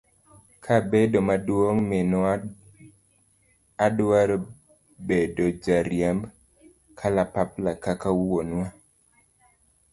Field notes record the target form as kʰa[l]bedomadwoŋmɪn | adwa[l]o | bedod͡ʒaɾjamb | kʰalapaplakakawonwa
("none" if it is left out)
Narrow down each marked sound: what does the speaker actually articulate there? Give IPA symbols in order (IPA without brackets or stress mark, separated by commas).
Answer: none, ɾ